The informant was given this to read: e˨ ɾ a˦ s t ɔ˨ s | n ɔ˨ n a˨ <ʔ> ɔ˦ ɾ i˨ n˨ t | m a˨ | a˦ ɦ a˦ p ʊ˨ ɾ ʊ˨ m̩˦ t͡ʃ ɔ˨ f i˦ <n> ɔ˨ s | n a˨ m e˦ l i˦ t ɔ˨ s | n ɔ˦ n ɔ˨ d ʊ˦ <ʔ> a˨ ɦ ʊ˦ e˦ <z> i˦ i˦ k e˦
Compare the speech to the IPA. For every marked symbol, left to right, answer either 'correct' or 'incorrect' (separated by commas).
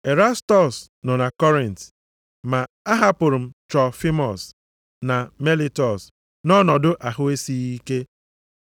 incorrect, incorrect, correct, incorrect